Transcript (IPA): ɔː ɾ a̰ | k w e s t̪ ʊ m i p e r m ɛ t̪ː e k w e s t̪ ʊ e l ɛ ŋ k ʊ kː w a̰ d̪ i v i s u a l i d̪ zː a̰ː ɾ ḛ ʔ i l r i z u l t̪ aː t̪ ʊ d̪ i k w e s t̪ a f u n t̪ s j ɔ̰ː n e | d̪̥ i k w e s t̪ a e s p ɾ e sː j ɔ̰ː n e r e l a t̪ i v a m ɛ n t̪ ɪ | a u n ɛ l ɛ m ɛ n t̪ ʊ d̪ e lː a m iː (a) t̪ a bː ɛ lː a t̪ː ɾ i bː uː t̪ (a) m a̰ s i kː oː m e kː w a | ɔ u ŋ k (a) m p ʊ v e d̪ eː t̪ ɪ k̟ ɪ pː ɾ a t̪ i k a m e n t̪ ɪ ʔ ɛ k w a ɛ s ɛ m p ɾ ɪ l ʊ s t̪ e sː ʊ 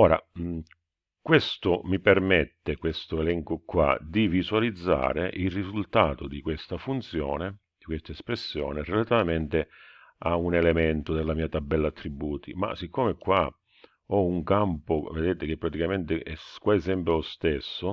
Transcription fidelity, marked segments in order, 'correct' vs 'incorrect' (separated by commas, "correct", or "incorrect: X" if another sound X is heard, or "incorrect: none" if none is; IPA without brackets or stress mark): correct, incorrect: i, correct